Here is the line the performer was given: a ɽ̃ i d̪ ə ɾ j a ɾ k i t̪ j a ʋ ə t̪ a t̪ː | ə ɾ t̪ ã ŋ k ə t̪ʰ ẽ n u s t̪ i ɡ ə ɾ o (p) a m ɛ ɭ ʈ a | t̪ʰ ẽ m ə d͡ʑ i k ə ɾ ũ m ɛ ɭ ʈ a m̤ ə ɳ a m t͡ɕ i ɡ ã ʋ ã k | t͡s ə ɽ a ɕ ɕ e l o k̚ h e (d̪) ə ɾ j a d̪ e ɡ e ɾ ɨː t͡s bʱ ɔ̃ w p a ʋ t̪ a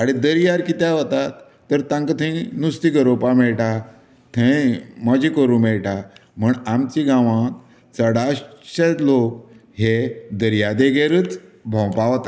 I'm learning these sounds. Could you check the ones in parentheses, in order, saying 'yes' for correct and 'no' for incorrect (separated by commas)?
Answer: yes, yes